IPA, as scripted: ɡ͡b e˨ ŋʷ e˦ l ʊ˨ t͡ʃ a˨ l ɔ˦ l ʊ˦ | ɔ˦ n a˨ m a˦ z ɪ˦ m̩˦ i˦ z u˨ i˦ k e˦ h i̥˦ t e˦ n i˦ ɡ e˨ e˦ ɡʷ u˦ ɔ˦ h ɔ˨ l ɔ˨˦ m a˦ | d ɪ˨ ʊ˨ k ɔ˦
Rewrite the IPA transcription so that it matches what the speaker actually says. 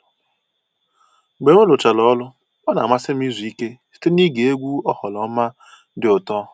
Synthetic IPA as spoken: ɡ͡b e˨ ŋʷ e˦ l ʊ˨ t͡ʃ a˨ l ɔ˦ l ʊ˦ | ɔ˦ n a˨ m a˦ s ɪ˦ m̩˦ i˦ z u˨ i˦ k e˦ s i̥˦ t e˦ n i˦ ɡ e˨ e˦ ɡʷ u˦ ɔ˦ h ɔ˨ l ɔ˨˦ m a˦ | d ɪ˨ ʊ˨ t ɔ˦